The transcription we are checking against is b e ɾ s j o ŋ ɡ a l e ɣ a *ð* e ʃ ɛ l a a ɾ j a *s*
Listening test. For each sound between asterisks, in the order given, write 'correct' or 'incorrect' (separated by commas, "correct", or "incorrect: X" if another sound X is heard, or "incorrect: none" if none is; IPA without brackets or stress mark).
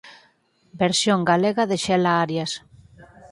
correct, correct